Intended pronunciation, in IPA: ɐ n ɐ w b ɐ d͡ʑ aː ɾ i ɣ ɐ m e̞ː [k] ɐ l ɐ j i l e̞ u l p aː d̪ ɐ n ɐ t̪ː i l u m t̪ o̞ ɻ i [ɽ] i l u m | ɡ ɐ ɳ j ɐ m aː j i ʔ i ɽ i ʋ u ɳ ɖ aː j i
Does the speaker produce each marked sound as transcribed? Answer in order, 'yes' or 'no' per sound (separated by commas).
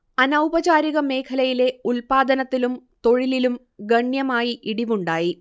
no, no